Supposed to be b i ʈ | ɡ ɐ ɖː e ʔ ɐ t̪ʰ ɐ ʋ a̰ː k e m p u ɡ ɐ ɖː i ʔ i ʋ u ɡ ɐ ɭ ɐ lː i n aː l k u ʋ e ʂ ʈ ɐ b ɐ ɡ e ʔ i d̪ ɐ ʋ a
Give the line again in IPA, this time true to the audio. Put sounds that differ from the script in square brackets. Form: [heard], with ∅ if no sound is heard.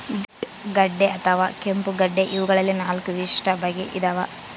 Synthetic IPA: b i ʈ | ɡ ɐ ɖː e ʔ ɐ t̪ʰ ɐ ʋ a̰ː k e m p u ɡ ɐ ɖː [e] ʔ i ʋ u ɡ ɐ ɭ ɐ lː i n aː l k u ʋ [i] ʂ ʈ ɐ b ɐ ɡ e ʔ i d̪ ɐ ʋ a

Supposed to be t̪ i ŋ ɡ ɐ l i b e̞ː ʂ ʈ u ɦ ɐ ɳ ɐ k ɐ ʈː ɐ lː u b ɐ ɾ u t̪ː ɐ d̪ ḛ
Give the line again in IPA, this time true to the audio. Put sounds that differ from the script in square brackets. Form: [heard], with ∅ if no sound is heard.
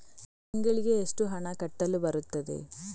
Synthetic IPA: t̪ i ŋ ɡ ɐ [ɭ] i [ɡ] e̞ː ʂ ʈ u ɦ ɐ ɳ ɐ k ɐ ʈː ɐ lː u b ɐ ɾ u t̪ː ɐ d̪ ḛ

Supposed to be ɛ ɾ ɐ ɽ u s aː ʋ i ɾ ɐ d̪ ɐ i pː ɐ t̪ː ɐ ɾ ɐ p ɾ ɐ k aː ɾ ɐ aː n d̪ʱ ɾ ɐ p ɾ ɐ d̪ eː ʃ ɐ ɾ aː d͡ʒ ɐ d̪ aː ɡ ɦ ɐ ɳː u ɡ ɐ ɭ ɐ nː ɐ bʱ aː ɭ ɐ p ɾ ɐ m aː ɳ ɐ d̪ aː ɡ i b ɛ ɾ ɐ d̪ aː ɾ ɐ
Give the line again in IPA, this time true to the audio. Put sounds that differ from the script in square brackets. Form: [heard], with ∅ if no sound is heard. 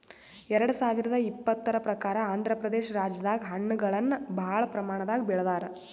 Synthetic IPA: ɛ ɾ ɐ ɽ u s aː ʋ i ɾ ɐ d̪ ɐ i pː ɐ t̪ː ɐ ɾ ɐ p ɾ ɐ k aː ɾ ɐ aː n d̪ʱ ɾ ɐ p ɾ ɐ d̪ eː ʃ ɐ ɾ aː d͡ʒ ɐ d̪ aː ɡ ɦ ɐ ɳː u ɡ ɐ ɭ ɐ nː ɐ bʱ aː ɭ ɐ p ɾ ɐ m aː ɳ ɐ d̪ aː ɡ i b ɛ [ɭ] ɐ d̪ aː ɾ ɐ

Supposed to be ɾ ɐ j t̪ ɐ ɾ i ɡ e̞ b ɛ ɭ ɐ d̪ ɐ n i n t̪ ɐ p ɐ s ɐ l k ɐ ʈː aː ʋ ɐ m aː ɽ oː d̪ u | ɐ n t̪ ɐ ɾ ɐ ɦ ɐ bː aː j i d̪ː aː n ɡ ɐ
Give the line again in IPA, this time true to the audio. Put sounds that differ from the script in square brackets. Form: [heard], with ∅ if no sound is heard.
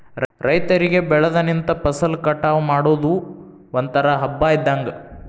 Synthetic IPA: ɾ ɐ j t̪ ɐ ɾ i ɡ e̞ b ɛ ɭ ɐ d̪ ɐ n i n t̪ ɐ p ɐ s ɐ l k ɐ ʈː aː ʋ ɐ m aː ɽ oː d̪ u | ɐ n t̪ ɐ ɾ ɐ ɦ ɐ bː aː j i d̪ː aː [ŋ] ɡ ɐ

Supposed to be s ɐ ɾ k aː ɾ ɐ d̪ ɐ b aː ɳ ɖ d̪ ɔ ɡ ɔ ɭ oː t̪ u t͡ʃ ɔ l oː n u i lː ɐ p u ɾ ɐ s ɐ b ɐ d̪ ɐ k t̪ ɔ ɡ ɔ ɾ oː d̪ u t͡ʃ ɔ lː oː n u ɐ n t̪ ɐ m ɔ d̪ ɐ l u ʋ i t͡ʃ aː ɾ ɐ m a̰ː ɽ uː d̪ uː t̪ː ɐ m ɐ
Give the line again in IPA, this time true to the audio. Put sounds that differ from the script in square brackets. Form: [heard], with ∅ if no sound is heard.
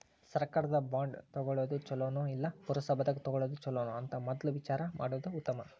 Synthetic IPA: s ɐ ɾ k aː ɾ ɐ d̪ ɐ b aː ɳ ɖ [t̪] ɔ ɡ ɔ ɭ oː [d̪] u t͡ʃ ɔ l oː n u i lː ɐ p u ɾ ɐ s ɐ b ɐ d̪ ɐ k t̪ ɔ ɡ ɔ [ɭ] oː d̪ u t͡ʃ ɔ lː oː n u ɐ n t̪ ɐ m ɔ d̪ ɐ l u ʋ i t͡ʃ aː ɾ ɐ m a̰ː ɽ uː d̪ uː t̪ː ɐ m ɐ

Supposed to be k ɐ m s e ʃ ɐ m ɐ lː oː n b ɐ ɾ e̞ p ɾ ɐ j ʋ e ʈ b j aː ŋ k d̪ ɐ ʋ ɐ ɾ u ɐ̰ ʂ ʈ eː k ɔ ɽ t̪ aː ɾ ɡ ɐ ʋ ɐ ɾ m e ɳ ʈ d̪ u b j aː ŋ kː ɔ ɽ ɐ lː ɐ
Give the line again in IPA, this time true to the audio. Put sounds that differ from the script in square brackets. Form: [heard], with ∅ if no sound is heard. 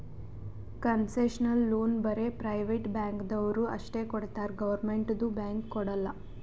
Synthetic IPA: k ɐ [n] s e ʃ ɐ [n] ɐ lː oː n b ɐ ɾ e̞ p ɾ ɐ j ʋ e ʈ b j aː ŋ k d̪ ɐ ʋ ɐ ɾ u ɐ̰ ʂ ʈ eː k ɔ ɽ t̪ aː ɾ ɡ ɐ ʋ ɐ ɾ m e ɳ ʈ d̪ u b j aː ŋ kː ɔ ɽ ɐ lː ɐ

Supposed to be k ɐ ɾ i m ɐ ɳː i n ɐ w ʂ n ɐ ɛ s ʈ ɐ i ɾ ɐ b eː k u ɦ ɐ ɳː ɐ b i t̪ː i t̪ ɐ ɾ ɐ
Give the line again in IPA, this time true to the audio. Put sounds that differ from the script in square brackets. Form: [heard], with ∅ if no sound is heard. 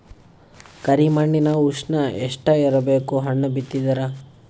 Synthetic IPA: k ɐ ɾ i m ɐ ɳː i n ɐ [u] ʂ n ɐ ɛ [ʂ] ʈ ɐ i ɾ ɐ b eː k u ɦ ɐ ɳː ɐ b i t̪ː i [d̪] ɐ ɾ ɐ

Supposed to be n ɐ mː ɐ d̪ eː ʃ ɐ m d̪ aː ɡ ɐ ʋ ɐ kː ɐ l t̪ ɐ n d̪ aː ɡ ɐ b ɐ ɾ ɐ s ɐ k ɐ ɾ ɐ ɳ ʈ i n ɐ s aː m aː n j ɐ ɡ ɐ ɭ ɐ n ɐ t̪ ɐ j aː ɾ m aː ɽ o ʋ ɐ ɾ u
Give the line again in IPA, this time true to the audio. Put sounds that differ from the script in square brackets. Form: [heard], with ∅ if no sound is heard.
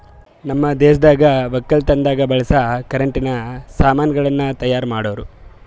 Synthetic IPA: n ɐ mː ɐ d̪ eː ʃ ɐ [∅] d̪ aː ɡ ɐ ʋ ɐ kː ɐ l t̪ ɐ n d̪ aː ɡ ɐ b ɐ [ɭ] ɐ s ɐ k ɐ ɾ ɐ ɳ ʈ i n ɐ s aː m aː n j ɐ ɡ ɐ ɭ ɐ [nː] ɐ t̪ ɐ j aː ɾ m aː ɽ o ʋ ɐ ɾ u

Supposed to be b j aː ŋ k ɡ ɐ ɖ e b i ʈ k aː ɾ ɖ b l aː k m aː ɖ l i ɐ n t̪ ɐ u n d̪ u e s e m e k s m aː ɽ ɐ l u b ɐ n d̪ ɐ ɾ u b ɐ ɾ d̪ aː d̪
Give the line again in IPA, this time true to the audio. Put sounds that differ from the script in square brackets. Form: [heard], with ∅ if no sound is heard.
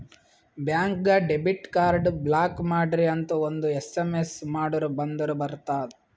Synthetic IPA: b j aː ŋ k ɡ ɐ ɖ e b i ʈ k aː ɾ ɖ b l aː k m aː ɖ [ɾ] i ɐ n t̪ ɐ [o] n d̪ u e s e m e [∅] s m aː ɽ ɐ [ɾ] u b ɐ n d̪ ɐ ɾ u b ɐ ɾ [t̪] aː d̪

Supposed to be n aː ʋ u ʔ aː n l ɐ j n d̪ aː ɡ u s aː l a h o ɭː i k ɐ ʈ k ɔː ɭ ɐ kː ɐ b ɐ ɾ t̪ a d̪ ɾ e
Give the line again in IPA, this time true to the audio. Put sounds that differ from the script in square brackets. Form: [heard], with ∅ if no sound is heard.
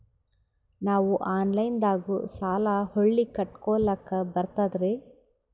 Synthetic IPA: n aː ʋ u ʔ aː n l ɐ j n d̪ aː ɡ u s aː l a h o ɭː i k ɐ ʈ k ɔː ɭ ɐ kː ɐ b ɐ ɾ t̪ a d̪ ɾ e

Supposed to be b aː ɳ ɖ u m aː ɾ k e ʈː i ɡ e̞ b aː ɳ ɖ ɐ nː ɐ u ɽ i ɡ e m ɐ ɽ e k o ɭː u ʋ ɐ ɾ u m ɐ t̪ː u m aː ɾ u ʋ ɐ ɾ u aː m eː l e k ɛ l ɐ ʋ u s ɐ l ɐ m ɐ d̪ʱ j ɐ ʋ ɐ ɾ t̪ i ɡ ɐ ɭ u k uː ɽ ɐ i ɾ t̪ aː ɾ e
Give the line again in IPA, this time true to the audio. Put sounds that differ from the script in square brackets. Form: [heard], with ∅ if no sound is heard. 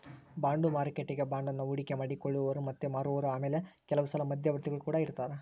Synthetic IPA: b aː ɳ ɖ u m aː ɾ k e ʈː i ɡ e̞ b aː ɳ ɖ ɐ nː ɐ u ɽ i [k] e m ɐ ɽ [i] k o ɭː u ʋ ɐ ɾ u m ɐ t̪ː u m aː ɾ u ʋ ɐ ɾ u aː m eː l e k ɛ l ɐ ʋ u s ɐ l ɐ m ɐ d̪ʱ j ɐ ʋ ɐ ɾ t̪ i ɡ ɐ ɭ u k uː ɽ ɐ i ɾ t̪ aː ɾ e

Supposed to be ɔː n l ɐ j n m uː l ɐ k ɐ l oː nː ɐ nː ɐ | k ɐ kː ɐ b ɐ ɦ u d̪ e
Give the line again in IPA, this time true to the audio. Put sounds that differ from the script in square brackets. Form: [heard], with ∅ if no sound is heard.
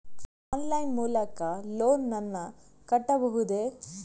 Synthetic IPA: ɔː n l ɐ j n m uː l ɐ k ɐ l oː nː ɐ nː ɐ | k ɐ [ʈː] ɐ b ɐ ɦ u d̪ e

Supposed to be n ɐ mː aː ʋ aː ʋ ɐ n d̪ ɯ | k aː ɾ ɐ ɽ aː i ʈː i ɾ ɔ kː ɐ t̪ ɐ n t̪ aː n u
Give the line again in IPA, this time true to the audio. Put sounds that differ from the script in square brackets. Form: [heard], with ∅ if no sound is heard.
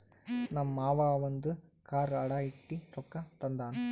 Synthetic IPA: n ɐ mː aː ʋ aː ʋ ɐ n d̪ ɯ | k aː ɾ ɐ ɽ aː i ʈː i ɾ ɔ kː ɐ t̪ ɐ n [d̪] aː n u

